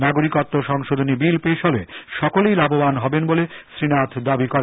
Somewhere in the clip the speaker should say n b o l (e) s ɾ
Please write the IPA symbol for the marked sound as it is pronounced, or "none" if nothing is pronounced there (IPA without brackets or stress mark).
e